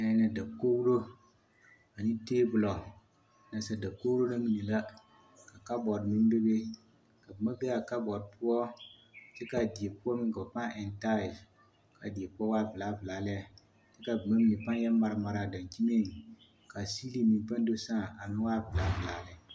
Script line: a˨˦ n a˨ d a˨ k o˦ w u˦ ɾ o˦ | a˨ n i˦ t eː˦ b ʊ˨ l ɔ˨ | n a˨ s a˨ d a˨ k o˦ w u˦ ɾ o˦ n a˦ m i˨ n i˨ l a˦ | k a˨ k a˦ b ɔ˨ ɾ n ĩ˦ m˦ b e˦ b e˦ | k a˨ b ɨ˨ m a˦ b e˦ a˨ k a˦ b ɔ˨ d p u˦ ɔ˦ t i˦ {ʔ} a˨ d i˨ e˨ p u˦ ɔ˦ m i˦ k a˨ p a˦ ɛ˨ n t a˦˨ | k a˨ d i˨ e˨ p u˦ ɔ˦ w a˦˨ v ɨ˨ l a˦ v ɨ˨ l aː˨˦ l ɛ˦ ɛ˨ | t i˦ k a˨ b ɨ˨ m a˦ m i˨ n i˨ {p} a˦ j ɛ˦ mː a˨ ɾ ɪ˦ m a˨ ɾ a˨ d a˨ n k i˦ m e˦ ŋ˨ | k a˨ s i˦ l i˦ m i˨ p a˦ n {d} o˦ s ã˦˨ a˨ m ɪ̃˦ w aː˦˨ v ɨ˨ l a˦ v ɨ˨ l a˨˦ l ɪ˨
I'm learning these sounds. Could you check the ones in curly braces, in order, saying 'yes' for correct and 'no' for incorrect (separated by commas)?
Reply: no, yes, yes